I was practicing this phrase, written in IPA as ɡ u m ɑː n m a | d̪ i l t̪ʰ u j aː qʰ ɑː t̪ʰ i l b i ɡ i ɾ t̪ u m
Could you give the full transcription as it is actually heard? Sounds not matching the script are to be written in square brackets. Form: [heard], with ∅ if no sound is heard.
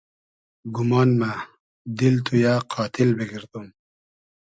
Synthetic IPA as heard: ɡ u m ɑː n m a | d̪ i l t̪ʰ u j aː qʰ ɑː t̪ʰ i l b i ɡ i ɾ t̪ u m